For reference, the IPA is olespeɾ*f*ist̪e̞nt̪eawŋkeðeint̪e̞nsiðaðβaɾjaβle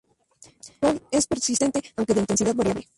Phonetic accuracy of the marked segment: incorrect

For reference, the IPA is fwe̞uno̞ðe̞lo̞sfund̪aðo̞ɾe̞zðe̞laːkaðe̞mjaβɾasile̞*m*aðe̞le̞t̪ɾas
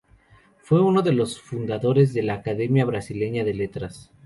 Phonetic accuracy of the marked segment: incorrect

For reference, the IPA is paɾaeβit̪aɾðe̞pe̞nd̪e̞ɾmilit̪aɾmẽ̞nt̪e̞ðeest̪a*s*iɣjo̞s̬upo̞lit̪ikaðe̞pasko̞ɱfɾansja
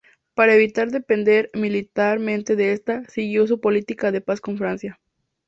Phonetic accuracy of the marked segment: correct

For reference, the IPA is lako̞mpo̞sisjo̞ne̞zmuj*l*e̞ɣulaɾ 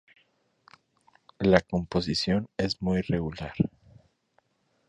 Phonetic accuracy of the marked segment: incorrect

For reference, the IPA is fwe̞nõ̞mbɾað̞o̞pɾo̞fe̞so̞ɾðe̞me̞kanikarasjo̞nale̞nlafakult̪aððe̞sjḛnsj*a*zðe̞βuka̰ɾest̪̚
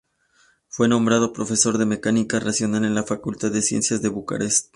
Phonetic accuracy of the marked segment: correct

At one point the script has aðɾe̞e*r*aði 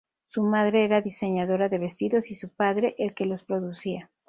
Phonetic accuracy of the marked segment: incorrect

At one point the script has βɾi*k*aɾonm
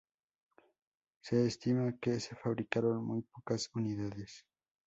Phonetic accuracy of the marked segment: correct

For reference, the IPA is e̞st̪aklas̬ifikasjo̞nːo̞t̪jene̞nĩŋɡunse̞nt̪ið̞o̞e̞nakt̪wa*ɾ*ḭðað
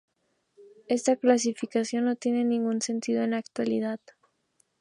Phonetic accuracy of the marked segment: incorrect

